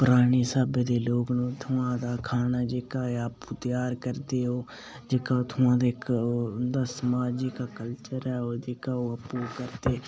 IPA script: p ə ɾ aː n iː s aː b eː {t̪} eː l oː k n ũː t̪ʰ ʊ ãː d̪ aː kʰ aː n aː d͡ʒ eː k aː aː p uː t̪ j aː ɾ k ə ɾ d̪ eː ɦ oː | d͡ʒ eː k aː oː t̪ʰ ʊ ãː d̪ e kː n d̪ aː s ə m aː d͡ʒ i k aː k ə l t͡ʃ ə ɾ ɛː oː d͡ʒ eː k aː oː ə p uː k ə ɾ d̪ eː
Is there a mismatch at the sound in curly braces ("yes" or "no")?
yes